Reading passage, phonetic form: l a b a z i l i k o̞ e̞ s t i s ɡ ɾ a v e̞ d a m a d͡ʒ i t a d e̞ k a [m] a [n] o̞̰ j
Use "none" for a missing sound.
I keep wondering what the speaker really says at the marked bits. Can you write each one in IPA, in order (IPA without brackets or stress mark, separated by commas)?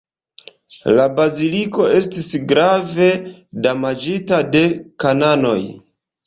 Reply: n, n